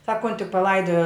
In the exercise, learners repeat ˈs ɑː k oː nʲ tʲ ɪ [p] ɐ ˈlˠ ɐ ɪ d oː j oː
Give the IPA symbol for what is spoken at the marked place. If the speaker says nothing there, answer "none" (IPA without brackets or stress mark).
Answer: p